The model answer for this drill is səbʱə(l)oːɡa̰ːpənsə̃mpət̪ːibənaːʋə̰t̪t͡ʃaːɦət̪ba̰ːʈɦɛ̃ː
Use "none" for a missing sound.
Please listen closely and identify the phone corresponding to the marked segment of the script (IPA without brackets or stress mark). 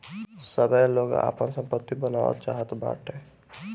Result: l